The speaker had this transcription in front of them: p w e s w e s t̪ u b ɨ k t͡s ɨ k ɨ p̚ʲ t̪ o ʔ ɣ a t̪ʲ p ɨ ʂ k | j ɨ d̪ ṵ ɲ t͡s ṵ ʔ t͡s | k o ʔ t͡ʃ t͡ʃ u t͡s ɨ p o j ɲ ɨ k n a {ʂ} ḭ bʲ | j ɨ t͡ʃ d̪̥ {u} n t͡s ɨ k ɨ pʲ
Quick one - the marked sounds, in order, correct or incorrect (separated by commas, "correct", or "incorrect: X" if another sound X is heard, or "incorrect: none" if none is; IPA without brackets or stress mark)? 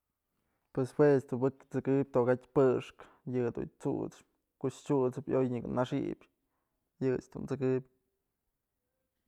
correct, correct